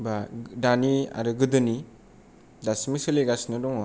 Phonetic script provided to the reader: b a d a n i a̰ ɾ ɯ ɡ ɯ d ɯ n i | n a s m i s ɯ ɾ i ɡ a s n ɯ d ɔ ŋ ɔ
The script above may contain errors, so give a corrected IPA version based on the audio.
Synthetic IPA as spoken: b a d a n i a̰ ɾ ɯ ɡ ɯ d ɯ n i | d a s m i s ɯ l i ɡ a s n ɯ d ɔ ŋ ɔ

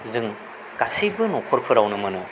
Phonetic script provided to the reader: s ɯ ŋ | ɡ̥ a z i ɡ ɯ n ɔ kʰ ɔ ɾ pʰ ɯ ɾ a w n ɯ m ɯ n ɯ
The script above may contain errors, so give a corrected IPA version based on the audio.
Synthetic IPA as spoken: z ɯ ŋ | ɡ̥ a s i b ɯ n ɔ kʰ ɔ ɾ pʰ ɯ ɾ a w n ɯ m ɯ n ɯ

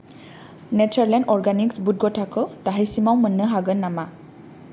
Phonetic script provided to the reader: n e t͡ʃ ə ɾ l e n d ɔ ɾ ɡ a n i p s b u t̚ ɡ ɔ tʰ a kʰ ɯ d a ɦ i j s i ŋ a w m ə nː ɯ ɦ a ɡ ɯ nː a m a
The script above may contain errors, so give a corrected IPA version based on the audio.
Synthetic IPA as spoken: n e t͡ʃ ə ɾ l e n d ɔ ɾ ɡ a n i k s b u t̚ ɡ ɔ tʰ a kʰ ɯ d a ɦ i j s i m a w m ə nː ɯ ɦ a ɡ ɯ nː a m a

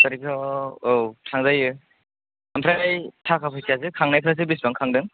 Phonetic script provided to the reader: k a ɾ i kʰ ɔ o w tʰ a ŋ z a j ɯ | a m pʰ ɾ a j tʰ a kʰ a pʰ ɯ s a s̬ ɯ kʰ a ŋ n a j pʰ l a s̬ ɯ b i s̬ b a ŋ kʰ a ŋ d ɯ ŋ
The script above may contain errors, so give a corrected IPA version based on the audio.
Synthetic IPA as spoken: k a ɾ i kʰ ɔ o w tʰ a ŋ z a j ɯ | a m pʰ ɾ a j tʰ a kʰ a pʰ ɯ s a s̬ ɯ kʰ a ŋ n a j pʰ ɾ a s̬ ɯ b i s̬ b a ŋ kʰ a ŋ d ɯ ŋ

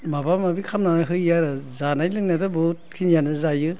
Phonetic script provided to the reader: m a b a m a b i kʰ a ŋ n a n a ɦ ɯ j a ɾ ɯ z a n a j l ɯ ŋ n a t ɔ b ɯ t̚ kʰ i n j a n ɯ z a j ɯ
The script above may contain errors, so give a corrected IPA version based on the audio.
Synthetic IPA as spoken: m a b a m a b i kʰ a m n a n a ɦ ɯ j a ɾ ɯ z a n a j l ɯ ŋ n a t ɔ b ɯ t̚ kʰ i n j a n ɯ z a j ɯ

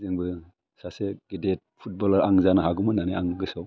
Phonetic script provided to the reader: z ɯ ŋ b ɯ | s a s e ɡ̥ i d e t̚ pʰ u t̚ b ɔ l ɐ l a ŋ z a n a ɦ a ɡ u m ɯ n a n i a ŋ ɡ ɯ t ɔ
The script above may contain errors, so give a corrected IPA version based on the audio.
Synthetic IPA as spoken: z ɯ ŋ b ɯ | s a s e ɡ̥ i d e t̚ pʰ u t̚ b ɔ l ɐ ɾ a ŋ z a n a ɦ a ɡ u m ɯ n a n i a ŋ ɡ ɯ s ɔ

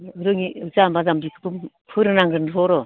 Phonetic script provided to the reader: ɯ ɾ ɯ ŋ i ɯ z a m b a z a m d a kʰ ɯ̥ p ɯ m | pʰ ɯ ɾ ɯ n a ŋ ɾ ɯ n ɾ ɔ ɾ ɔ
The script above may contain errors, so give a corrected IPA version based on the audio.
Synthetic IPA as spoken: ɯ ɾ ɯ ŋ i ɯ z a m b a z a m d i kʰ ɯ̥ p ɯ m | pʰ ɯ ɾ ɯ n a ŋ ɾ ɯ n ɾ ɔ ɾ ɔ

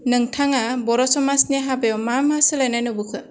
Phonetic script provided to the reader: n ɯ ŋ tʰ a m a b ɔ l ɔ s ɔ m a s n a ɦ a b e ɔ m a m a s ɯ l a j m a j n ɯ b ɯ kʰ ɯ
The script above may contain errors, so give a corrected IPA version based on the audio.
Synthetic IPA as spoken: n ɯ ŋ tʰ a ŋ a b ɔ ɾ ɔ s ɔ m a s n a ɦ a b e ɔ m a m a s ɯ l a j n a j n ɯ b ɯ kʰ ɯ

